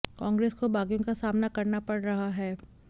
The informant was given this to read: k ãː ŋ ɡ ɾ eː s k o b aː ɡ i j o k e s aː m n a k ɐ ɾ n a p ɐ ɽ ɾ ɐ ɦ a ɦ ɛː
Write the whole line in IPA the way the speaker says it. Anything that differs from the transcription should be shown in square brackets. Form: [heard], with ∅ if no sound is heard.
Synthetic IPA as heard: k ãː ŋ ɡ ɾ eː s k o b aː ɡ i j [õ] k [a] s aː m n a k ɐ ɾ n a p ɐ ɽ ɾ ɐ ɦ a ɦ ɛː